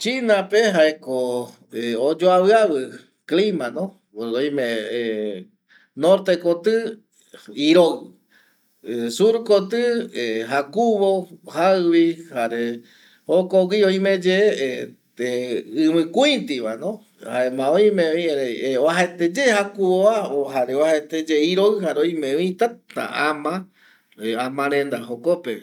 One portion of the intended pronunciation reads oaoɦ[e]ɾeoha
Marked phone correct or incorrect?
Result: incorrect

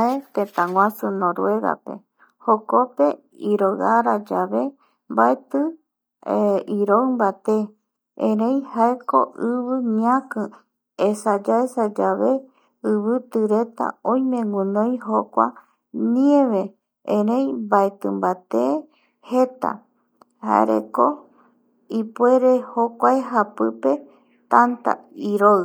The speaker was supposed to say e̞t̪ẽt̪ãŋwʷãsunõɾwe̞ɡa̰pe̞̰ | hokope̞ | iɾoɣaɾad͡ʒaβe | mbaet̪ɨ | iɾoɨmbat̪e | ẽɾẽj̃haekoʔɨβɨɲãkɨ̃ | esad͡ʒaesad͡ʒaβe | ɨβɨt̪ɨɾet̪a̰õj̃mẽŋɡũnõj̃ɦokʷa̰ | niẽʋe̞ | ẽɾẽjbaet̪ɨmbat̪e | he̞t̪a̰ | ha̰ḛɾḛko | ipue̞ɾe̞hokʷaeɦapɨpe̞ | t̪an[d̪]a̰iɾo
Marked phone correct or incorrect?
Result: incorrect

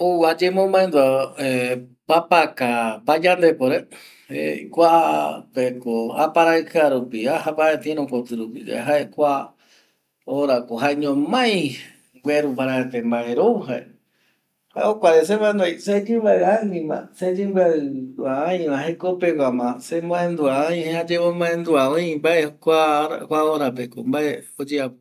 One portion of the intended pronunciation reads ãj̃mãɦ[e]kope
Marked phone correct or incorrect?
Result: correct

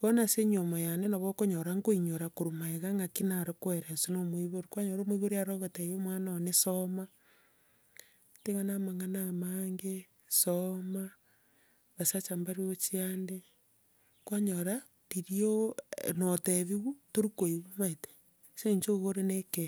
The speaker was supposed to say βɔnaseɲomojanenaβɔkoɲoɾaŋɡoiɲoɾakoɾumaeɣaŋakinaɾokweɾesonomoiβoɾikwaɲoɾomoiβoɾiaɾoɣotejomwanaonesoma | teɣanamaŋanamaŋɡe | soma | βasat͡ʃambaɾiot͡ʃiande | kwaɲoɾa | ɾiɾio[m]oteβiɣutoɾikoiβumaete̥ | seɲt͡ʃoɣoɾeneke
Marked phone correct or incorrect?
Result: incorrect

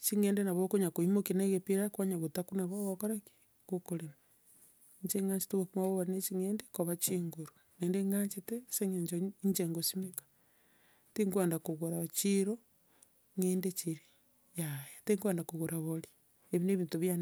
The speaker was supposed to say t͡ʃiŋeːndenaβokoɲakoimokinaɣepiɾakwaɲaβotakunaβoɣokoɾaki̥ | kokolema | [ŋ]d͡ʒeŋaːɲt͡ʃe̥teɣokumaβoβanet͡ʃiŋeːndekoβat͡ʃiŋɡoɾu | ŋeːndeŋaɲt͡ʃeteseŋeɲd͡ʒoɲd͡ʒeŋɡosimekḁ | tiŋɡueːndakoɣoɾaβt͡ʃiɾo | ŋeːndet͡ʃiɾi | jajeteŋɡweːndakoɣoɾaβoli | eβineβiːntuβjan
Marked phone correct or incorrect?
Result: incorrect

